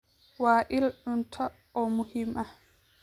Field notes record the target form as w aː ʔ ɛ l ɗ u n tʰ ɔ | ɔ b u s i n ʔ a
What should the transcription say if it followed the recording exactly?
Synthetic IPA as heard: w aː ʔ i l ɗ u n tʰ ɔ | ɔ m u h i m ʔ a